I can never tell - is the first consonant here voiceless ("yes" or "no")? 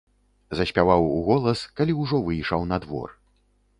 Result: no